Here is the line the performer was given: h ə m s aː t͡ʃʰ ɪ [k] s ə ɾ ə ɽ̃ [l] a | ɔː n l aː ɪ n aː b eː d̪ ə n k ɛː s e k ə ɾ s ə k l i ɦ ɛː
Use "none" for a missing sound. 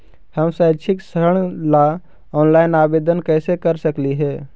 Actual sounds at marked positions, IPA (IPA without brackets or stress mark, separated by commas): k, l